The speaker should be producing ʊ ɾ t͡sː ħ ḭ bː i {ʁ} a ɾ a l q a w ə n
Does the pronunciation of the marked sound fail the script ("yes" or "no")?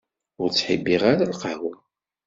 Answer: no